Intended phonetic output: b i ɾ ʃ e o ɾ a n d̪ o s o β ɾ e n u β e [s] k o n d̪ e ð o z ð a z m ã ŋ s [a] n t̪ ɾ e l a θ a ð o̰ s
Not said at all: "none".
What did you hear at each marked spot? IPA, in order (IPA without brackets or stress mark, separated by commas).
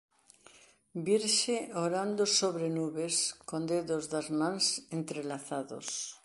s, e